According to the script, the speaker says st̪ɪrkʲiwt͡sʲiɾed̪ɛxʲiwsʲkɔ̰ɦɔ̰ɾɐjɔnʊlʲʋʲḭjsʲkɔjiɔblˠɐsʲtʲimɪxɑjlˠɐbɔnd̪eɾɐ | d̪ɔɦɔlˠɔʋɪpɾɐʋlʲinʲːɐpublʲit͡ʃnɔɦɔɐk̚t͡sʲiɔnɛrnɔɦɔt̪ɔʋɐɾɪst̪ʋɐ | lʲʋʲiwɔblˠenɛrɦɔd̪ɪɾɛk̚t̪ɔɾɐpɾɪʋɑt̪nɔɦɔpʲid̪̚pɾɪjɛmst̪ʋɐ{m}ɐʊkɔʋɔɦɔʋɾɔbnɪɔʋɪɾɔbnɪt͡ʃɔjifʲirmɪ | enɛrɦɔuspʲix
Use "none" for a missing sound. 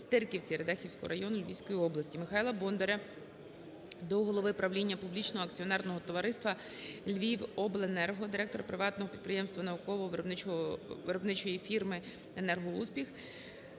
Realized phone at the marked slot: n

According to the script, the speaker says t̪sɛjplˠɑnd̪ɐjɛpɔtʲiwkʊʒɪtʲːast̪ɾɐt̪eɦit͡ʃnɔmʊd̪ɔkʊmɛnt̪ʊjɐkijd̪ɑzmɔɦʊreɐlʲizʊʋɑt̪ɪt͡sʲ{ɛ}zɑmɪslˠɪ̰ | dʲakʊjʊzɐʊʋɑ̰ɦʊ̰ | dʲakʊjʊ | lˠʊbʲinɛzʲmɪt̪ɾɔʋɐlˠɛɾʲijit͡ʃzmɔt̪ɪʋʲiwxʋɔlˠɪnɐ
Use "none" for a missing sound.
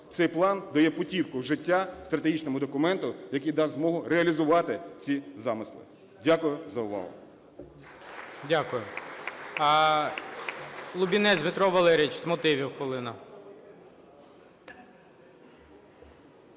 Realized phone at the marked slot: i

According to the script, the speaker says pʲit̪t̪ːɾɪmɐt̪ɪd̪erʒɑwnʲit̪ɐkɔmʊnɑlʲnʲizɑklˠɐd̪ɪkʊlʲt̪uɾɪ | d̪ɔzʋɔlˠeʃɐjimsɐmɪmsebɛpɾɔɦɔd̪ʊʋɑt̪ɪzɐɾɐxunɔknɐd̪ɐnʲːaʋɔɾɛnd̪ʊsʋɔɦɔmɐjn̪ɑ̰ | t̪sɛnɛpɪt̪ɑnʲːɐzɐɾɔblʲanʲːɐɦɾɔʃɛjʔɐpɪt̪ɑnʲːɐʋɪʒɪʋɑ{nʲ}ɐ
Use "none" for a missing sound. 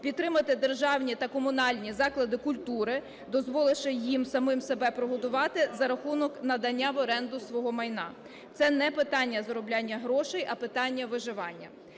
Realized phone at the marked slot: nʲː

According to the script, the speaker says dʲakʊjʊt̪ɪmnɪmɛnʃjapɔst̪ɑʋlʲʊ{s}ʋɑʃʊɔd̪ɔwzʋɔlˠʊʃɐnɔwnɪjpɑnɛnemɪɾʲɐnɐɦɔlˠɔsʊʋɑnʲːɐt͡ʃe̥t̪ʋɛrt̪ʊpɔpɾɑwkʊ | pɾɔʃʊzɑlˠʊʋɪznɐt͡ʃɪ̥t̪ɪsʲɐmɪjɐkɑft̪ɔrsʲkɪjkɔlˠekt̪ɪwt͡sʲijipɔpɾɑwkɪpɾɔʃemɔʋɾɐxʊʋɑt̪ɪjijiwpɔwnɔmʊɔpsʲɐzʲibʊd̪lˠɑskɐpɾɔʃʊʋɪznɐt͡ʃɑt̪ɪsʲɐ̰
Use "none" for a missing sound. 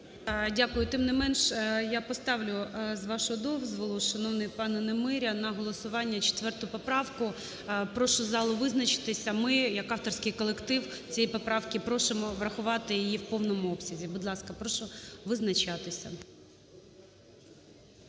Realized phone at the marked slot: z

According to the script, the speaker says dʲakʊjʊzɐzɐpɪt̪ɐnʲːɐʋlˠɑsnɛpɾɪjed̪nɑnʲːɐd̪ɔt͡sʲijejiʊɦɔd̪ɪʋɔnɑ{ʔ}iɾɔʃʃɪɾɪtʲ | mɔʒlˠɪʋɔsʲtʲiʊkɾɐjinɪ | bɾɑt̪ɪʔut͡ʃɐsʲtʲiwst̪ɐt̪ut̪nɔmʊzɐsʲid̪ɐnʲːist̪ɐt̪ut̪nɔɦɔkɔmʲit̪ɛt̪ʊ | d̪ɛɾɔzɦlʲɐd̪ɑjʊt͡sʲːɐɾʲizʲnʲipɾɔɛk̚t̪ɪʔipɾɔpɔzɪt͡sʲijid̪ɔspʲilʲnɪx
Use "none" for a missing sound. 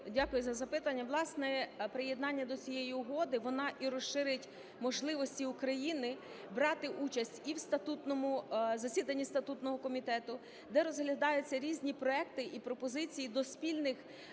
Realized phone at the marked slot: ʔ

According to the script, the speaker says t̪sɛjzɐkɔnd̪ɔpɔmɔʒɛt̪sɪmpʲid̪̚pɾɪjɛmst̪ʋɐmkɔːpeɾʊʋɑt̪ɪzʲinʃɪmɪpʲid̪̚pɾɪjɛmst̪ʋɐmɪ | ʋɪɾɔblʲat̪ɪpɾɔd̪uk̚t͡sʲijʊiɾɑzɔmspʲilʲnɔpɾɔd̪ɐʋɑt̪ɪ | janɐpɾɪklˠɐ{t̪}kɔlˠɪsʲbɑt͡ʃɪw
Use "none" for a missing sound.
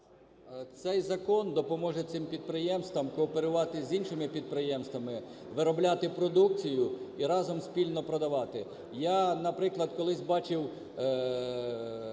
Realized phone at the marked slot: d̪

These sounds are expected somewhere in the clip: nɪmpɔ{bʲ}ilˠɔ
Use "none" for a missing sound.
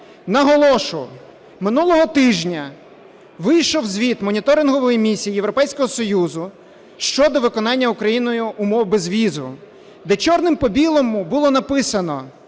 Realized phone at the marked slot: bʲ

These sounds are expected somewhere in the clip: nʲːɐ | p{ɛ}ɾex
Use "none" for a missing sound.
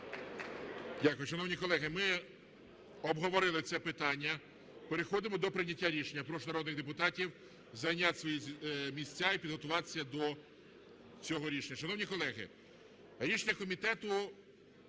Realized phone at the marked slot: e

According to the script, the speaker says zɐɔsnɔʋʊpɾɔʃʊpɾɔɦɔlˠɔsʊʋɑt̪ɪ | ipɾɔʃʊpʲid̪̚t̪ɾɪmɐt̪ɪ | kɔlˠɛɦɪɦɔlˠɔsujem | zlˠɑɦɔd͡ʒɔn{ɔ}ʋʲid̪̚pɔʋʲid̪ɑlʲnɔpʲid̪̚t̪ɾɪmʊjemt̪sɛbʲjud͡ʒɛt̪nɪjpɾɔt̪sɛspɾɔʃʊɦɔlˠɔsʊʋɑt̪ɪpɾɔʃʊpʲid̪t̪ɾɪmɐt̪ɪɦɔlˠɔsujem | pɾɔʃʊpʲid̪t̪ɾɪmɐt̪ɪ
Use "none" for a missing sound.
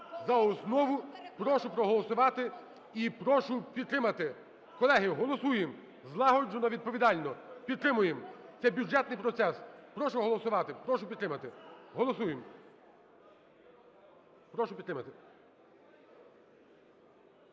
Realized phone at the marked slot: ɔ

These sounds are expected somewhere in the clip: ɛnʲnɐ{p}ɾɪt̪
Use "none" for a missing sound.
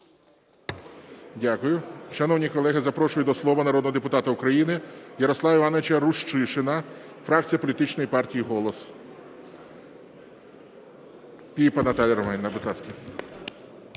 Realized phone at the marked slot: b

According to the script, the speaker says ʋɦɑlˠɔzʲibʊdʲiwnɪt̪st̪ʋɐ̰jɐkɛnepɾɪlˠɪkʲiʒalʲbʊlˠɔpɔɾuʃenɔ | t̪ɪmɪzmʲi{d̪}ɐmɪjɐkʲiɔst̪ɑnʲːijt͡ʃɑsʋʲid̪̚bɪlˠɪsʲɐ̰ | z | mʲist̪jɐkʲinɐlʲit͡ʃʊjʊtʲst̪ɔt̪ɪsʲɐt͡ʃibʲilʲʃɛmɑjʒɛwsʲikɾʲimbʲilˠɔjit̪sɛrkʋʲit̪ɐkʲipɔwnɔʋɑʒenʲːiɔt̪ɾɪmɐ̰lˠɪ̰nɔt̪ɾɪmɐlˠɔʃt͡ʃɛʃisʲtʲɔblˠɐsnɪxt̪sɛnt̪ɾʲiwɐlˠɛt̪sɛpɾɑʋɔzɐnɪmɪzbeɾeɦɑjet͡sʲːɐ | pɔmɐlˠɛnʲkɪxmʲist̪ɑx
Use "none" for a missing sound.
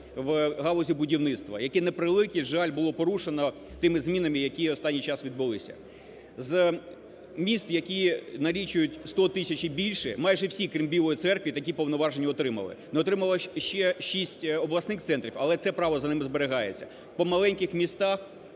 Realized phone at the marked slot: n̪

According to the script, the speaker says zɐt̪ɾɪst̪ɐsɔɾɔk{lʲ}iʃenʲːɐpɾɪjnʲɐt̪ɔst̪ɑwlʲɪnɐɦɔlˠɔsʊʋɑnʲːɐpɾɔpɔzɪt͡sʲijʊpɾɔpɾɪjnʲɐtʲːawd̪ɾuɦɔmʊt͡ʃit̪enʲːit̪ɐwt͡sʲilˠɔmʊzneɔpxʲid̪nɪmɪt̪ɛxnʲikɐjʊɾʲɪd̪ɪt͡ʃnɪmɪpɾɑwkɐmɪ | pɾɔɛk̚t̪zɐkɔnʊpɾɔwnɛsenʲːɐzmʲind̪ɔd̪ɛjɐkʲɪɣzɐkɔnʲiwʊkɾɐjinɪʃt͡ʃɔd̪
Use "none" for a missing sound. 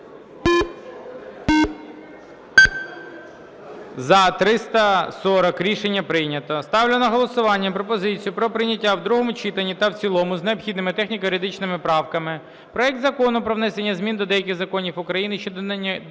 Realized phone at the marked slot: ɾʲ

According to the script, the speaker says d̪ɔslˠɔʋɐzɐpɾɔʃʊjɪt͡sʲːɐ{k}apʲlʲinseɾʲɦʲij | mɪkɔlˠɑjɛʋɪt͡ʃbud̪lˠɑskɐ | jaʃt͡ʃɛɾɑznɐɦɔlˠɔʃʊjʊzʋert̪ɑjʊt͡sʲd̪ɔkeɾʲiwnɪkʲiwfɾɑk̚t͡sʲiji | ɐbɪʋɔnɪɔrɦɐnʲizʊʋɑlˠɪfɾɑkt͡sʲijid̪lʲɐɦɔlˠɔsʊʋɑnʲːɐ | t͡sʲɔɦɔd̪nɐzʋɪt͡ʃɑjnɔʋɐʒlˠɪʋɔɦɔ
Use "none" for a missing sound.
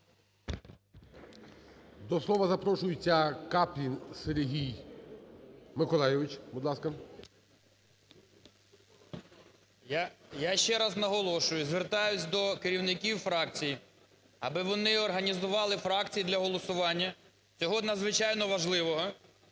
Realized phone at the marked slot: k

